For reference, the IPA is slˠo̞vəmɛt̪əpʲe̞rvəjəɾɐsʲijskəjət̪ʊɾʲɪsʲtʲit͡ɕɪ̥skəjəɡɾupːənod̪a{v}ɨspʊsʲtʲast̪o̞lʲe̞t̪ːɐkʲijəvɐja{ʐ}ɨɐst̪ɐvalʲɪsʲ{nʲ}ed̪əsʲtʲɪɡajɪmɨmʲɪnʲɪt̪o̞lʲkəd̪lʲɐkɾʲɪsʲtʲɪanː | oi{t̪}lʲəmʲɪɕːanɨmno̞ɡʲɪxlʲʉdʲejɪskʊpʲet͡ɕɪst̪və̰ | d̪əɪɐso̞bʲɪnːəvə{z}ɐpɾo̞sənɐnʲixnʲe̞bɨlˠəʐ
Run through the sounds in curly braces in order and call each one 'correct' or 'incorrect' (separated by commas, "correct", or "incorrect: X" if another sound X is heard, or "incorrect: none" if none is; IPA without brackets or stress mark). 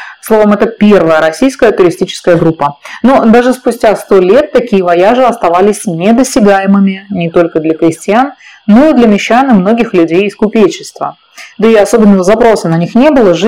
incorrect: ʐ, correct, correct, incorrect: d̪, correct